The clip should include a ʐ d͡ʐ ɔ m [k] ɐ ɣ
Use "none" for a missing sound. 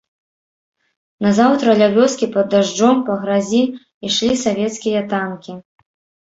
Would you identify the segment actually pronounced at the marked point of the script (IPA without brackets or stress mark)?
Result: p